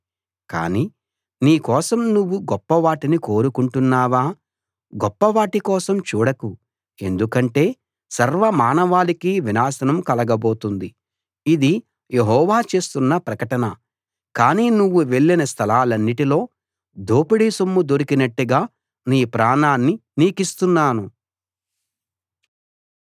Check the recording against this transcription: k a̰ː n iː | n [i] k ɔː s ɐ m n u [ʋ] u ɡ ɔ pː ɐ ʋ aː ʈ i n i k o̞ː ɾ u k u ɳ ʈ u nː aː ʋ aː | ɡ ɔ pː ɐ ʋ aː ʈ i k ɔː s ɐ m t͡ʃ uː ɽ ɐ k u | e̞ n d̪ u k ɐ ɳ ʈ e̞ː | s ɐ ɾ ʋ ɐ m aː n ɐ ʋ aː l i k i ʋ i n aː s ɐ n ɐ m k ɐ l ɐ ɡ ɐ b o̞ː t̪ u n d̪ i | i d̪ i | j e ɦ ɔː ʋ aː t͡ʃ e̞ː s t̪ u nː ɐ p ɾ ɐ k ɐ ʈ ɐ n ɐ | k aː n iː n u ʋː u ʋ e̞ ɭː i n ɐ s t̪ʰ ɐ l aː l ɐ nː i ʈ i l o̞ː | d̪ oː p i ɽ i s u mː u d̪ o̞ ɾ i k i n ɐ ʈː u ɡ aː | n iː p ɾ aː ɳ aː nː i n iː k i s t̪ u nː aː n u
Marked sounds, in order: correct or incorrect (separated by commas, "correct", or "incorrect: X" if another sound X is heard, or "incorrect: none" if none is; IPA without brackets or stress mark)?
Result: incorrect: iː, incorrect: ʋː